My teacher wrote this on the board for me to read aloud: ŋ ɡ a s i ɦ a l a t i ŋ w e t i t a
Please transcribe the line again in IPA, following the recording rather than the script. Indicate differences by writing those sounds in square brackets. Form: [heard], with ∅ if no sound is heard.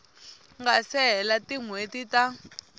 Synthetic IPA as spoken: ŋ ɡ a s [ɛ] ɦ [ɛ] l a t i ŋ w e t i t a